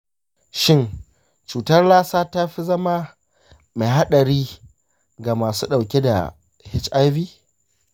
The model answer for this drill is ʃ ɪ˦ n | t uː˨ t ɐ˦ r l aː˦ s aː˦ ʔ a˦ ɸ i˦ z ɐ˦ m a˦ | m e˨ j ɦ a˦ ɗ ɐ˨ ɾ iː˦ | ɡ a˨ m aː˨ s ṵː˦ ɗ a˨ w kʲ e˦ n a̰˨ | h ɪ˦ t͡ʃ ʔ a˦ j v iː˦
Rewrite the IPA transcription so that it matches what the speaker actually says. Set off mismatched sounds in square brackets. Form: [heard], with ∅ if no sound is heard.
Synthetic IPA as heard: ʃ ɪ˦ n | [t͡ʃ] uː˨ t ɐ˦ r l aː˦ s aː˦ [t] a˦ ɸ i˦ z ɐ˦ m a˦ | m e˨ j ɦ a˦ ɗ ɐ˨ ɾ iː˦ | ɡ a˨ m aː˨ s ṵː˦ ɗ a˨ w kʲ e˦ [d] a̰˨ | h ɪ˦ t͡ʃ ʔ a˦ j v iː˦

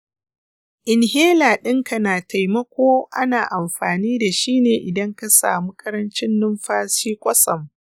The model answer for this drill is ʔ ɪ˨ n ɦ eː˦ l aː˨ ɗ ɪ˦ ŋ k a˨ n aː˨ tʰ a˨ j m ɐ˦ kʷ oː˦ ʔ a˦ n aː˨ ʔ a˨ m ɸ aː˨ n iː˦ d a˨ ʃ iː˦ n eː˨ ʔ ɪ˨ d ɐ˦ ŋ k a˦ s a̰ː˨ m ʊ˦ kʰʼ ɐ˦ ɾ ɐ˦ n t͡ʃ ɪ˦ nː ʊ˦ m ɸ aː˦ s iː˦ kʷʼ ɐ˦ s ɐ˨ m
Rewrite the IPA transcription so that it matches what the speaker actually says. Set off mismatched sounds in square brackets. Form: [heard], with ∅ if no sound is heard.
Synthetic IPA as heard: ʔ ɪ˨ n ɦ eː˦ l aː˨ ɗ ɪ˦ ŋ k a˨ n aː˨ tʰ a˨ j m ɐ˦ kʷ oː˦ ʔ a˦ n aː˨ ʔ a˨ m ɸ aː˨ n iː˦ d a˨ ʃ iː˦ n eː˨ ʔ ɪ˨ d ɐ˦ ŋ k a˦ s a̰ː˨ m [u˦] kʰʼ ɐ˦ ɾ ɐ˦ n t͡ʃ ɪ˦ nː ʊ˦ m ɸ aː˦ s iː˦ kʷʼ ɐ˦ s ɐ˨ m

